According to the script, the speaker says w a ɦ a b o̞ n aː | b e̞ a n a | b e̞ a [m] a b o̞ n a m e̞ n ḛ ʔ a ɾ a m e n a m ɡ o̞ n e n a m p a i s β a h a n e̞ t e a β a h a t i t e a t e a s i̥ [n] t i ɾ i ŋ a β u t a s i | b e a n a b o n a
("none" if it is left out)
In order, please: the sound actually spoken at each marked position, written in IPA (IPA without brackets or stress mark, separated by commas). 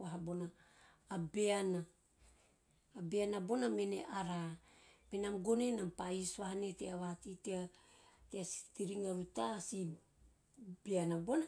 n, none